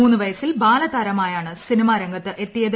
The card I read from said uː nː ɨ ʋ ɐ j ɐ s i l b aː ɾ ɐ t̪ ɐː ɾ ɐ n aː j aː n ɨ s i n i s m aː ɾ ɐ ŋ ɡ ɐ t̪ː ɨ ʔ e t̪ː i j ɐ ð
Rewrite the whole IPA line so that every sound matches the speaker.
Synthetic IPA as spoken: uː nː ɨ ʋ ɐ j ɐ s i l b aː l ɐ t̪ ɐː ɾ ɐ m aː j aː ɳ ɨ s i n i m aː ɾ ɐ ŋ ɡ ɐ t̪ː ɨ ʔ e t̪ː i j ɐ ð